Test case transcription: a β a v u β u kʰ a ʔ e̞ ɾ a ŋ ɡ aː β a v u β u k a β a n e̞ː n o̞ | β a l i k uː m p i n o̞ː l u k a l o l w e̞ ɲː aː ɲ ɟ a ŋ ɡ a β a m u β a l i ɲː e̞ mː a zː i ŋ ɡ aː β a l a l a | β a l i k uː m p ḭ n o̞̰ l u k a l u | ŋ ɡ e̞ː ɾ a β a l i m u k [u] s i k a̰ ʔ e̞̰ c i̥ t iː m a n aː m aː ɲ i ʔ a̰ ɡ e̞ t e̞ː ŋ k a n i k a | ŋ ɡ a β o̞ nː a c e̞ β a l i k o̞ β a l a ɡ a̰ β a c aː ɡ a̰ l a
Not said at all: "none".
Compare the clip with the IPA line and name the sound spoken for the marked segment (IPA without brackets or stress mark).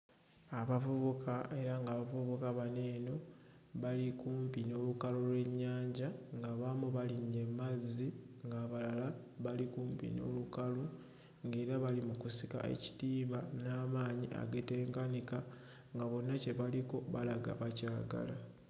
u